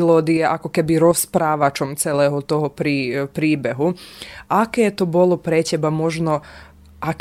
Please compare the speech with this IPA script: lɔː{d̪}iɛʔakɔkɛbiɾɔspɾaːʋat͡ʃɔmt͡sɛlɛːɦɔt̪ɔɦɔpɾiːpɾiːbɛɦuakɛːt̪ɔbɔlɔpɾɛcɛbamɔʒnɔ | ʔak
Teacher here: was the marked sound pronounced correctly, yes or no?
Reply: yes